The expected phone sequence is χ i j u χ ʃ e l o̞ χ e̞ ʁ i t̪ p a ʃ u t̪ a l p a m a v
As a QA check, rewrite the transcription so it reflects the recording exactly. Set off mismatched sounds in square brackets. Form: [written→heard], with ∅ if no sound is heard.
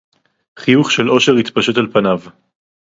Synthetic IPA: χ i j u χ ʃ e l o̞ [χ→ʃ] e̞ ʁ i t̪ p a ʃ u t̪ a l p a [m→n] a v